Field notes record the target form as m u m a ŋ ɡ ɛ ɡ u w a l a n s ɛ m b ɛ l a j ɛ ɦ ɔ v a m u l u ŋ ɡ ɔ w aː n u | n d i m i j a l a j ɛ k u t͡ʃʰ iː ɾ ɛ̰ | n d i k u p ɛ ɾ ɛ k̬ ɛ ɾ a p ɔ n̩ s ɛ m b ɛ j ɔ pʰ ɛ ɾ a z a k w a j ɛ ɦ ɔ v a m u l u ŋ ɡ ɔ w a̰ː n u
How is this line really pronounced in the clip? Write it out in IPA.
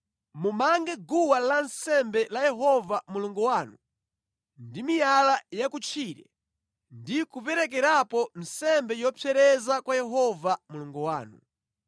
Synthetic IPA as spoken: m u m a ŋ ɡ ɛ ɡ u w a l a n s ɛ m b ɛ l a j ɛ ɦ ɔ v a m u l u ŋ ɡ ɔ w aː n u | n d i m i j a l a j a k u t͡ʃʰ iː ɾ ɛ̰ | n d i k u p ɛ ɾ ɛ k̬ ɛ ɾ a p ɔ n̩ s ɛ m b ɛ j ɔ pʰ ɛ ɾ ɛ z a k w a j ɛ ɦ ɔ v a m u l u ŋ ɡ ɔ w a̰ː n u